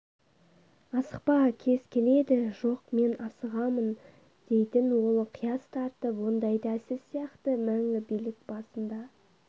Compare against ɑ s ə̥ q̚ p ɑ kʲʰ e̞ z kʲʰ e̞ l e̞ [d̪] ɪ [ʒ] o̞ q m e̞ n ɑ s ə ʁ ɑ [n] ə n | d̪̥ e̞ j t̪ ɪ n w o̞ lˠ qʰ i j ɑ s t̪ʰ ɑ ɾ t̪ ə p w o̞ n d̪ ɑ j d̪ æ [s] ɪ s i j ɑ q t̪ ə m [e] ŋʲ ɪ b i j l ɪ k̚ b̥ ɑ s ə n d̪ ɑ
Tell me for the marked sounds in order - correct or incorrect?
correct, correct, incorrect, correct, incorrect

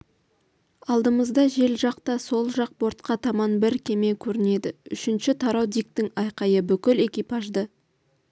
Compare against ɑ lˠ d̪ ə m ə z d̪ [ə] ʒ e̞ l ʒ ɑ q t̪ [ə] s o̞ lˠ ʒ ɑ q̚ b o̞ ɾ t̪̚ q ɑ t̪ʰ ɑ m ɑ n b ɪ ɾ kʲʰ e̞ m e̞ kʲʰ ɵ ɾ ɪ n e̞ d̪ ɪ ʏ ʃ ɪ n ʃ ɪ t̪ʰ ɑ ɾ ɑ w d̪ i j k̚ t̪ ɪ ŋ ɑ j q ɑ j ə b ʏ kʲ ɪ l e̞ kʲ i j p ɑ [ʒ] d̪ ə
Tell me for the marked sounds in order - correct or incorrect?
incorrect, incorrect, correct

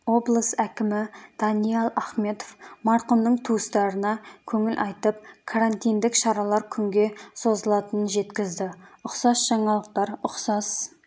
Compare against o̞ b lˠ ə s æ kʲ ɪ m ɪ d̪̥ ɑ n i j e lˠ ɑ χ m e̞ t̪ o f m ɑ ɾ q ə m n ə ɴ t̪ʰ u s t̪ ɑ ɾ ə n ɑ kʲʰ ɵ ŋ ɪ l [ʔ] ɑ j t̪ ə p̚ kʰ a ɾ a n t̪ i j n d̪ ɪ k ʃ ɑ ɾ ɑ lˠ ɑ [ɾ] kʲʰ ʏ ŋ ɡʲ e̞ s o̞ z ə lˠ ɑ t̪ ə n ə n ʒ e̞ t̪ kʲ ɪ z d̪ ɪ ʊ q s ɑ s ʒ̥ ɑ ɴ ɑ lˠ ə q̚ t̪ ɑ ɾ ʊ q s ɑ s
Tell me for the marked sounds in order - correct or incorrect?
correct, correct

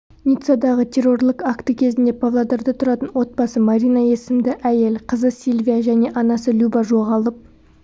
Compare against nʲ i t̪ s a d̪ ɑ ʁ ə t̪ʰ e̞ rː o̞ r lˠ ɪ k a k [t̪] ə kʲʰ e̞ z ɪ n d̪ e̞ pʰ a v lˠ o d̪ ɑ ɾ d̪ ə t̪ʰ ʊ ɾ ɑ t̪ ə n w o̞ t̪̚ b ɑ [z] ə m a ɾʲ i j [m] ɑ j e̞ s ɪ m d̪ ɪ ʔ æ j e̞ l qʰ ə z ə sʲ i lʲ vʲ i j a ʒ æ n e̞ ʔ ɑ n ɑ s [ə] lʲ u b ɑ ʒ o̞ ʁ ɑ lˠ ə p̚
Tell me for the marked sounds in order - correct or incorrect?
correct, incorrect, incorrect, correct

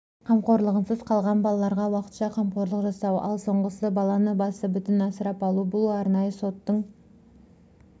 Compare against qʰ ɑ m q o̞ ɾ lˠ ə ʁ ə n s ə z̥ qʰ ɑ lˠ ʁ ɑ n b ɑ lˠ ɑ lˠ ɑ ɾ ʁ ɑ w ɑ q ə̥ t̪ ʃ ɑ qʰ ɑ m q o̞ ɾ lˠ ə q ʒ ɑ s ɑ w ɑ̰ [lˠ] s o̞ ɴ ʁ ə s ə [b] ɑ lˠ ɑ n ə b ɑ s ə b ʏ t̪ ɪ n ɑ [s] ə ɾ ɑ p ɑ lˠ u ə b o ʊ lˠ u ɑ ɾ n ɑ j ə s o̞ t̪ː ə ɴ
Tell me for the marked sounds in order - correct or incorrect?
correct, correct, correct

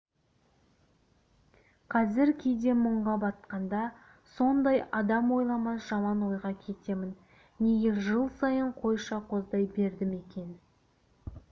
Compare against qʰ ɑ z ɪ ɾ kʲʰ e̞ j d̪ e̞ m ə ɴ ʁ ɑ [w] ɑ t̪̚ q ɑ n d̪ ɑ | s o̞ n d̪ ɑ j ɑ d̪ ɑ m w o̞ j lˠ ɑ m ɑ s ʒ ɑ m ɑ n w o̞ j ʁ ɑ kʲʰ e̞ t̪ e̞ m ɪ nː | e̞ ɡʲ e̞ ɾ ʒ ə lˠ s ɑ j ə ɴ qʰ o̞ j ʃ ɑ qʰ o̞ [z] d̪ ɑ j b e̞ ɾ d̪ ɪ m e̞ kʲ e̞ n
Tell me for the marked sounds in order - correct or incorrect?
incorrect, correct

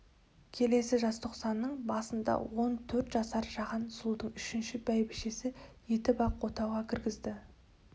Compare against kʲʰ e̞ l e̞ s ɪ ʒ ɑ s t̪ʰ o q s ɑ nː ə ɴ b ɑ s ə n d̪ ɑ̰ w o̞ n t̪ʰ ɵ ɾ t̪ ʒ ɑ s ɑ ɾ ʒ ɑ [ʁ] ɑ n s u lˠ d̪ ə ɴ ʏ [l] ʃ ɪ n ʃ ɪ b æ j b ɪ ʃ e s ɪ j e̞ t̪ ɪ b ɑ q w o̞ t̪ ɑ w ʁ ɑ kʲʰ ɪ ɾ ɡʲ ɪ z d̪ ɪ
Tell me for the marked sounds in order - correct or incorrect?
correct, incorrect

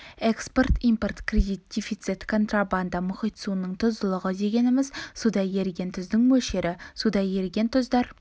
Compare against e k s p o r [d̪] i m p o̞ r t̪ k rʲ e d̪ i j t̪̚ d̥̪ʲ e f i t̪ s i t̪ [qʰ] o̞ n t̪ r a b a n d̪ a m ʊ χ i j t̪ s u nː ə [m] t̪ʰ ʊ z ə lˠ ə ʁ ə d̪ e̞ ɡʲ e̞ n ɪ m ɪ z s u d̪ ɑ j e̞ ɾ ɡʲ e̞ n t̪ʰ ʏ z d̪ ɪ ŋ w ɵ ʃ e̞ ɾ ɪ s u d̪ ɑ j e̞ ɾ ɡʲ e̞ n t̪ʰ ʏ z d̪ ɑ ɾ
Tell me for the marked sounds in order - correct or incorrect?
incorrect, incorrect, incorrect

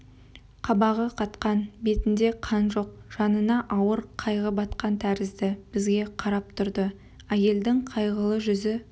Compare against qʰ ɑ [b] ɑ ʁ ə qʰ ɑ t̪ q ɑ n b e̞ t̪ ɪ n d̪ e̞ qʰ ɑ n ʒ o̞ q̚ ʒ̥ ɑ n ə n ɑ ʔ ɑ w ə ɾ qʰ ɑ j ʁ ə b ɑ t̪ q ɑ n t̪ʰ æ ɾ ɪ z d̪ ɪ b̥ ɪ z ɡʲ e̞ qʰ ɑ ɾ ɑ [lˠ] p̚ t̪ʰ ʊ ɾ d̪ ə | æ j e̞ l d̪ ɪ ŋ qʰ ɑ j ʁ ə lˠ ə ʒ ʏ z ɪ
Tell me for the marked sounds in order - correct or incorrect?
correct, incorrect

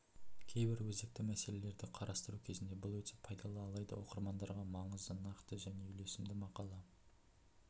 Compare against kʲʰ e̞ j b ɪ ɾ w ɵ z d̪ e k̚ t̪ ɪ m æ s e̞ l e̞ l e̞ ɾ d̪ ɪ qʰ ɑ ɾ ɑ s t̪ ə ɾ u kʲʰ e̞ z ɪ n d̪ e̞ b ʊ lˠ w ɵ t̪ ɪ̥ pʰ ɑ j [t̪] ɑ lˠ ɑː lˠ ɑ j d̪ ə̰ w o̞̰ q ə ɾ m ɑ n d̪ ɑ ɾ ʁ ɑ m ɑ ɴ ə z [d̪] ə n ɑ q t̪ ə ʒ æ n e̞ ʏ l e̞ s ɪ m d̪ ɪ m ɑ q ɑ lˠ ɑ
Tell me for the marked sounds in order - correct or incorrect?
incorrect, correct

